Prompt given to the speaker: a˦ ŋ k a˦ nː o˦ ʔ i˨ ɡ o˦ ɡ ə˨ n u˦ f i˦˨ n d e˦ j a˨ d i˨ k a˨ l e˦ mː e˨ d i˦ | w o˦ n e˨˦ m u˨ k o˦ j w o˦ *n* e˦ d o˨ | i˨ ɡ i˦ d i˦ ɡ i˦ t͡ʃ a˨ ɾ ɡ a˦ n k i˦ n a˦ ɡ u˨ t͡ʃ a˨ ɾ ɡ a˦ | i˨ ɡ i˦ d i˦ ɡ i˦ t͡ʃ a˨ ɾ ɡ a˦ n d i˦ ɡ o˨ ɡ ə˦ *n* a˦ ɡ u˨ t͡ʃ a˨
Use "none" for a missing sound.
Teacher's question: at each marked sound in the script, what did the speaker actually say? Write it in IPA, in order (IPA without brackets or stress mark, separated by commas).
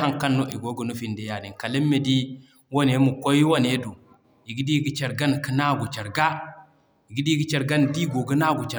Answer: n, n